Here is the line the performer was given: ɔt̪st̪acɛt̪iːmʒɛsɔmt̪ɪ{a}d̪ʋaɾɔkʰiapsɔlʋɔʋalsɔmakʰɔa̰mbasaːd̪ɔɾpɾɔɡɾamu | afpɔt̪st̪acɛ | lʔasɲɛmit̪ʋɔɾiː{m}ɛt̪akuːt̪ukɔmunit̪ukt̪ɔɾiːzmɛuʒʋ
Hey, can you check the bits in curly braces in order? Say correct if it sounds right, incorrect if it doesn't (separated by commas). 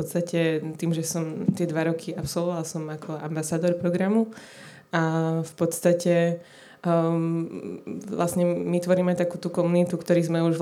incorrect, correct